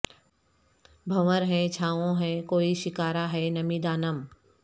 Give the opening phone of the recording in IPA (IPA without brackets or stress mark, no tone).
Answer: bʱ